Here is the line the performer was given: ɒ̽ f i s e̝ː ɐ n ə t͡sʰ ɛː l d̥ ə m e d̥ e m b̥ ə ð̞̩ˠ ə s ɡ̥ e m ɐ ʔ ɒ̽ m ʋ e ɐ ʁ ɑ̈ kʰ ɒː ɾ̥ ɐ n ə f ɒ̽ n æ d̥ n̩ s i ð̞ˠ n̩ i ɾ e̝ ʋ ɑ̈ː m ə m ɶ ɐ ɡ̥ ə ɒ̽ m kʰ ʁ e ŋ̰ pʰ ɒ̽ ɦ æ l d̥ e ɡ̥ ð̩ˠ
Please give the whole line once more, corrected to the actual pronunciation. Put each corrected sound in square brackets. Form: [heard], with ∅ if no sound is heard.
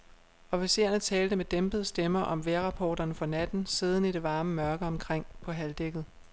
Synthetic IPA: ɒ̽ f i s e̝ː ɐ n ə t͡sʰ ɛː l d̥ ə m e d̥ e m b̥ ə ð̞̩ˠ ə s [d̥] e m ɐ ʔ ɒ̽ m ʋ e ɐ ʁ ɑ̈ [pʰ] ɒː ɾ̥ ɐ n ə f ɒ̽ n æ d̥ n̩ s i ð̞ˠ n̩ i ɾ e̝ ʋ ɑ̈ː m ə m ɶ ɐ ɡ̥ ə ɒ̽ m kʰ ʁ e ŋ̰ pʰ ɒ̽ ɦ æ l d̥ e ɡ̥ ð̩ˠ